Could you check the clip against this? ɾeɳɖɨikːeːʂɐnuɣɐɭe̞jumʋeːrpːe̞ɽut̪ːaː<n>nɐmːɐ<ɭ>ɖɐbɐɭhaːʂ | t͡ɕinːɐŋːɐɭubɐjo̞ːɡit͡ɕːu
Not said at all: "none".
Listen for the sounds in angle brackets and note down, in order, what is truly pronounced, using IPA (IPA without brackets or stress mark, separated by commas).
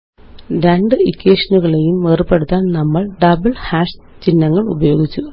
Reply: n, ɭ